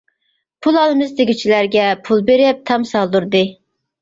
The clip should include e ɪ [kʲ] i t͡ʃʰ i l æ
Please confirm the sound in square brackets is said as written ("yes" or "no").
no